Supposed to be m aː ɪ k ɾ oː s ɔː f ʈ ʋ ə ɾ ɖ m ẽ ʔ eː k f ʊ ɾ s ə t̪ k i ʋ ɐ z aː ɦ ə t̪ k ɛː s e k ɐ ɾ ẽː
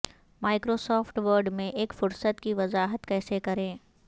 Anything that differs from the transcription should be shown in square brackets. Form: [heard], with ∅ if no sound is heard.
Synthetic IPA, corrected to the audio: m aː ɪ k ɾ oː s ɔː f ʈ ʋ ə ɾ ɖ m ẽ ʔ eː k f ʊ ɾ s ə t̪ k i ʋ ɐ z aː ɦ ə t̪ k ɛː s e k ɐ ɾ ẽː